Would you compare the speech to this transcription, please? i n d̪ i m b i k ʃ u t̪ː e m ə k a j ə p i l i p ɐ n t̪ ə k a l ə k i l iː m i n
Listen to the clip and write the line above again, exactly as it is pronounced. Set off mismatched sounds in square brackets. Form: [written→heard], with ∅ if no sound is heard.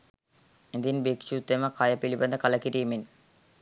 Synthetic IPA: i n d̪ i [m→n] b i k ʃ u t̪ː e m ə k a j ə p i l i [p→b] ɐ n [t̪→d̪] ə k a l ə k i [l→ɾ] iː m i n